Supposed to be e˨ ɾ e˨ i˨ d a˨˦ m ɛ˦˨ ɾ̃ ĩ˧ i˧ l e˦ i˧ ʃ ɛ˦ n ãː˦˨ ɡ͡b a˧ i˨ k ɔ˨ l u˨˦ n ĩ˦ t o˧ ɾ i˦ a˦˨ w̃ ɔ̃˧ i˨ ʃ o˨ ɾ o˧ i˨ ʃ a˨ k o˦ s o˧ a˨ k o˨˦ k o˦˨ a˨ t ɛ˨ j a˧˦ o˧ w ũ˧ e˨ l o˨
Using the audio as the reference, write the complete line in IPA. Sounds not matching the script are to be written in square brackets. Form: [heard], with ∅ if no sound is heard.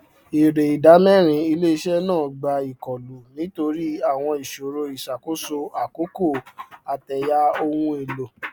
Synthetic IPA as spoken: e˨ ɾ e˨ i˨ d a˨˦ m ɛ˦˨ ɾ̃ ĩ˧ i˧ l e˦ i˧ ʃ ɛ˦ n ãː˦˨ ɡ͡b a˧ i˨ k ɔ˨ l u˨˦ n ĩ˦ t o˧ ɾ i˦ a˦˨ w̃ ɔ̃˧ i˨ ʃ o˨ ɾ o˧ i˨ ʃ a˨ k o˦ s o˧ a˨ k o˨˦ k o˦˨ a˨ t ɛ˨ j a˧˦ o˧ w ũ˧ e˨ l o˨